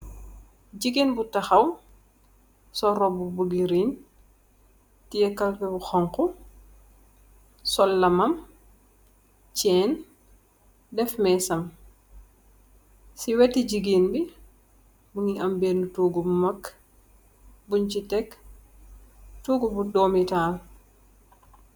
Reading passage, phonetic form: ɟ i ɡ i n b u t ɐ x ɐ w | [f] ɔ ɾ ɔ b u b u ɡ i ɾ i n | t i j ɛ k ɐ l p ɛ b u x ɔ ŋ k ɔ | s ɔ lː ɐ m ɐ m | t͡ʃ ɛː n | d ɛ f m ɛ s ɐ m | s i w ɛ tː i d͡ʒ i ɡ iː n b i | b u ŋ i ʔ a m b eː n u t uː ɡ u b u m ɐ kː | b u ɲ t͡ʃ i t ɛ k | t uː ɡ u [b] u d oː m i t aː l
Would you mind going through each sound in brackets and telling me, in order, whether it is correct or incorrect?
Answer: incorrect: s, correct

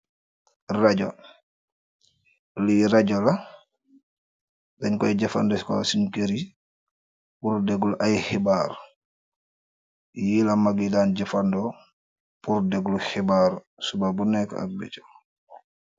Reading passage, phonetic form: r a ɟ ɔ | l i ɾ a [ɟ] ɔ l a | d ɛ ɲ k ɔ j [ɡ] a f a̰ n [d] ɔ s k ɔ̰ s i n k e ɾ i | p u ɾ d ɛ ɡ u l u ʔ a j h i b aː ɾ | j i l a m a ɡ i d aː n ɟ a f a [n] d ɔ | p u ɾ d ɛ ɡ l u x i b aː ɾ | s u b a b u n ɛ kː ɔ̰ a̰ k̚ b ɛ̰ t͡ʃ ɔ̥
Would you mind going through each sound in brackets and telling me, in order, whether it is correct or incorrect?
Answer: correct, incorrect: ɟ, correct, correct

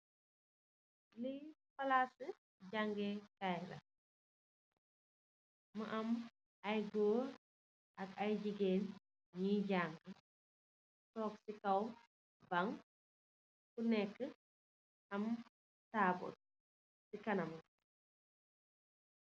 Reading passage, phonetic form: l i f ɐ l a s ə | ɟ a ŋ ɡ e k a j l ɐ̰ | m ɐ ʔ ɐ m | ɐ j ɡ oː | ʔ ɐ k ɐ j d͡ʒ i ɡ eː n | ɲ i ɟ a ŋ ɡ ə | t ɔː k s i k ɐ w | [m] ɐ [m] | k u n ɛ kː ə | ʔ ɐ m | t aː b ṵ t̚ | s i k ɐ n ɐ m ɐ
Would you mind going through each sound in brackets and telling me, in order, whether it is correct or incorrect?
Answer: incorrect: b, incorrect: ŋ

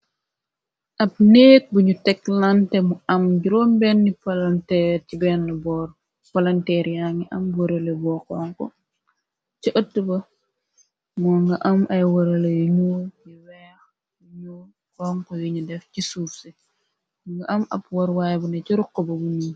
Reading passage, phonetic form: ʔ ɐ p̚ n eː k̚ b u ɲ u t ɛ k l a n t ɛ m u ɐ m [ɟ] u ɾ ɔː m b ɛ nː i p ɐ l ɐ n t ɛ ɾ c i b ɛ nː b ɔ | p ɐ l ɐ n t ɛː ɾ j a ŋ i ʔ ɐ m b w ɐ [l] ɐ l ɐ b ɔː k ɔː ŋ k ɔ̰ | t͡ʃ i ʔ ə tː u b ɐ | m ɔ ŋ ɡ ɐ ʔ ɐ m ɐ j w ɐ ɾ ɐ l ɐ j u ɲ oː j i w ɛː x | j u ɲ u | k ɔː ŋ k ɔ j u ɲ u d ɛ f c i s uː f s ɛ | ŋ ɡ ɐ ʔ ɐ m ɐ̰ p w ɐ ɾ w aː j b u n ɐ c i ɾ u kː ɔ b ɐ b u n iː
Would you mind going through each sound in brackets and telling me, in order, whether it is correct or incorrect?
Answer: correct, incorrect: ɾ

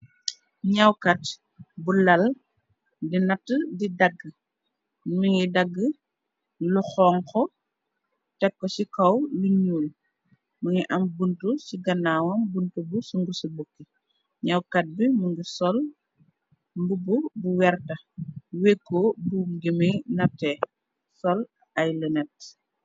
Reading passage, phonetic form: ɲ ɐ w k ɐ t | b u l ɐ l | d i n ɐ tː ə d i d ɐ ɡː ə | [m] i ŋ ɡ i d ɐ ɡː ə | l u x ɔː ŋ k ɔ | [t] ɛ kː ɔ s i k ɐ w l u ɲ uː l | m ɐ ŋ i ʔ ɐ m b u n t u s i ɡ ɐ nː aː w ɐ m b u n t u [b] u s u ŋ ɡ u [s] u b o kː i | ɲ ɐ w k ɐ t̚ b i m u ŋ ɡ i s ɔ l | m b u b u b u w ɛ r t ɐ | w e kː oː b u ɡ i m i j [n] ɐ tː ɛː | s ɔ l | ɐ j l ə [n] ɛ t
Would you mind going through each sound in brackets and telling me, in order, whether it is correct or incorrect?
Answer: correct, correct, correct, correct, correct, correct

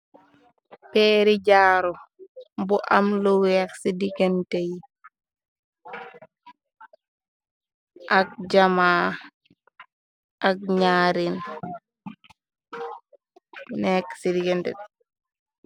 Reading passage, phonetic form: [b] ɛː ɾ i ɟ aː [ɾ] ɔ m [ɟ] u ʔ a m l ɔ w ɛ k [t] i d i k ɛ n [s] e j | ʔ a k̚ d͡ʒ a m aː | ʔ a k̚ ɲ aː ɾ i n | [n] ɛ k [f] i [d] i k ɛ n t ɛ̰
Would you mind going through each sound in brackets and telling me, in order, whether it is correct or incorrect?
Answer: incorrect: p, correct, incorrect: b, incorrect: s, incorrect: t, correct, incorrect: s, correct

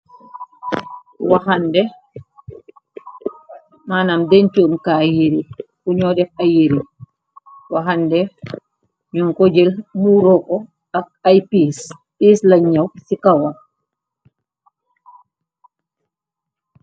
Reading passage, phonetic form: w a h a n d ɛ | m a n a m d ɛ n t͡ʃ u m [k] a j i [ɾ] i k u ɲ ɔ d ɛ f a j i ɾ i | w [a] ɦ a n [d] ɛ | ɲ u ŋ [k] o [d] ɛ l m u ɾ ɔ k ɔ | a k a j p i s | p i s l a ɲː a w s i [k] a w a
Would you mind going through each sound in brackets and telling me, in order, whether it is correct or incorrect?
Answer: correct, correct, correct, correct, correct, incorrect: d͡ʒ, correct

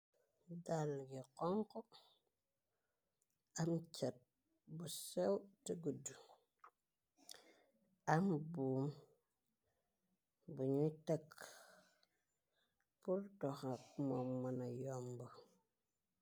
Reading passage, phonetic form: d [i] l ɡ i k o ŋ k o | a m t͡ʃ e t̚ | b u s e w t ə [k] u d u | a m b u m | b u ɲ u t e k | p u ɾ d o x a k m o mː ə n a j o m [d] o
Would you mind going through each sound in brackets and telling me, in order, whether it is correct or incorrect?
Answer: incorrect: a, incorrect: ɡ, incorrect: b

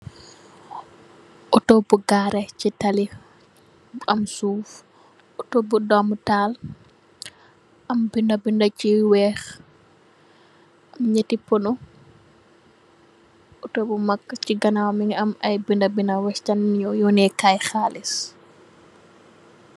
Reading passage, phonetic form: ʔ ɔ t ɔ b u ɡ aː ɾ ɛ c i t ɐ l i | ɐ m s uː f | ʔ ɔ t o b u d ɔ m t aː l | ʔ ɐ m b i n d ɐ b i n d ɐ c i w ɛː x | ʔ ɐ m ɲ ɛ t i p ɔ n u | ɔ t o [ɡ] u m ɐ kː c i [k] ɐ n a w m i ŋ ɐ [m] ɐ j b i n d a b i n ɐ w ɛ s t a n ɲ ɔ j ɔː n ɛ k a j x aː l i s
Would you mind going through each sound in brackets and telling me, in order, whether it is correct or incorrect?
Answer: incorrect: b, incorrect: ɡ, correct

